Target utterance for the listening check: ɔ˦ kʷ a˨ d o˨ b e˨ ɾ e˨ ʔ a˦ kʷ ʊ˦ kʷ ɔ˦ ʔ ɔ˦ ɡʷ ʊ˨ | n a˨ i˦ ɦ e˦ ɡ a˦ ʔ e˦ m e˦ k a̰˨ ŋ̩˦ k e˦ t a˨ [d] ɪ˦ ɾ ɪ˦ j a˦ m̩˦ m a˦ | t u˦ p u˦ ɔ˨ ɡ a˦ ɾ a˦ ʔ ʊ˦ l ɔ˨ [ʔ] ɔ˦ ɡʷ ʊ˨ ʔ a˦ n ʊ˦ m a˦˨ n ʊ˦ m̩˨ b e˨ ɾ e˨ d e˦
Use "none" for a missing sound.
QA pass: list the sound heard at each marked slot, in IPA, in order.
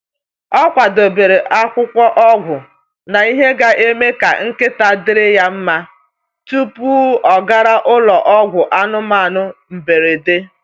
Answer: d, ʔ

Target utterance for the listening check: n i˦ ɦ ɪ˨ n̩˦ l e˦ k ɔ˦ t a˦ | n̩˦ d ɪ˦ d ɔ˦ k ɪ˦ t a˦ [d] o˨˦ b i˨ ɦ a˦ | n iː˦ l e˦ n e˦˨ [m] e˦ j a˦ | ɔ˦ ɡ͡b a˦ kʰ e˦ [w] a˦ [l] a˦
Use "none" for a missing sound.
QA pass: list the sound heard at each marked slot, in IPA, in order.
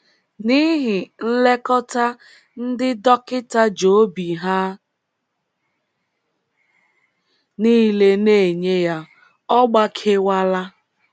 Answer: d͡ʒ, ɲ, w, l

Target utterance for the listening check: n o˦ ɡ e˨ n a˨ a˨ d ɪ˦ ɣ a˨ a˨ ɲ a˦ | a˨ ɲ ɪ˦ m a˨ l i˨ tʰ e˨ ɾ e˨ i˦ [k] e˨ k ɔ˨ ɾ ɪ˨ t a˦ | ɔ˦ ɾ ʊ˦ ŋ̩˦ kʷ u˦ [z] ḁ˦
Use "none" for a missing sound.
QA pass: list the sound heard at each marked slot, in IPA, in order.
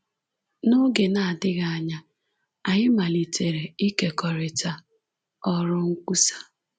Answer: k, s

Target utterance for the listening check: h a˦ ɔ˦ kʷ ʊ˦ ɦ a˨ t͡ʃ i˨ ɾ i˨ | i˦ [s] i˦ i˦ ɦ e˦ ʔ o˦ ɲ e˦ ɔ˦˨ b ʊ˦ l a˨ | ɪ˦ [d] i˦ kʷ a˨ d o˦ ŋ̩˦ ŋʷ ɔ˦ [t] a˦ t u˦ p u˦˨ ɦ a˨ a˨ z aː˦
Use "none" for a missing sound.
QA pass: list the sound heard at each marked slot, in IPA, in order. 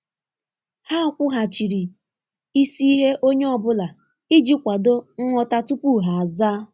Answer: s, d͡ʒ, t

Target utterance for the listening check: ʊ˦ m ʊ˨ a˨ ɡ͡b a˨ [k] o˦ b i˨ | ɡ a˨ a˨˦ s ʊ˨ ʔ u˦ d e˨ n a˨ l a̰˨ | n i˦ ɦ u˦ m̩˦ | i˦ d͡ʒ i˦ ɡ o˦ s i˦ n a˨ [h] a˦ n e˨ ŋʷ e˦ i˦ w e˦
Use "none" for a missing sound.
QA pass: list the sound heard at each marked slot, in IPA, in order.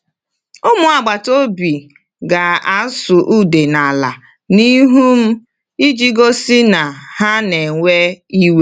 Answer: t, h

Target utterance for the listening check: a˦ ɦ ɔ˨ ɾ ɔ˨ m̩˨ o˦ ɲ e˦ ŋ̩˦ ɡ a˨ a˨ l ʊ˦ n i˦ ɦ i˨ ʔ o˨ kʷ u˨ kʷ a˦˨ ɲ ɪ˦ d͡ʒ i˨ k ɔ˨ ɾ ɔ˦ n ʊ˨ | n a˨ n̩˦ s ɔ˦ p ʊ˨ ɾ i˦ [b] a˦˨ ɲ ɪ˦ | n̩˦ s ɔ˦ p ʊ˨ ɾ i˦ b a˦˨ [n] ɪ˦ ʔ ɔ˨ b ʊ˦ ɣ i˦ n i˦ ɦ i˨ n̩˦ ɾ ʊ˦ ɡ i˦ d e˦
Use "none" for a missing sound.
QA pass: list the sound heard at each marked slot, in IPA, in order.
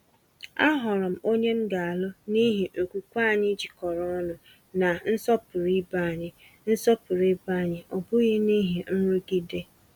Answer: b, ɲ

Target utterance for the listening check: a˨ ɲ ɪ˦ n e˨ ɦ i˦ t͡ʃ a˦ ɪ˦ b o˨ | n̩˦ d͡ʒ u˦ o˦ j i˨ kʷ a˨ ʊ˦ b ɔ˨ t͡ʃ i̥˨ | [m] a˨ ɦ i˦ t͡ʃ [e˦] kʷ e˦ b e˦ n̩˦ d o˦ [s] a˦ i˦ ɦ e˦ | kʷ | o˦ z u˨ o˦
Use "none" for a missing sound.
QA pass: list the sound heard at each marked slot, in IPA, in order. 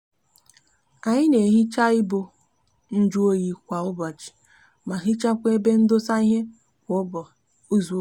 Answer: m, a˦, s

